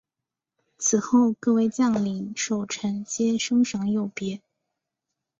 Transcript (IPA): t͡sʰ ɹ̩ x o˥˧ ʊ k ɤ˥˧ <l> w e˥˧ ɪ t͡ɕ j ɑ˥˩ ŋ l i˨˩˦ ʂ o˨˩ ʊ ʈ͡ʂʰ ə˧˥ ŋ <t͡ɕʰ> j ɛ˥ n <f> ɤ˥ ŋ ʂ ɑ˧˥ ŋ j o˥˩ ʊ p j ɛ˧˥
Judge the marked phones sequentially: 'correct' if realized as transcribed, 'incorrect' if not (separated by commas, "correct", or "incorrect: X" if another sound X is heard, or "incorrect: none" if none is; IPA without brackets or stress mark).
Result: incorrect: none, incorrect: t͡ɕ, incorrect: ʂ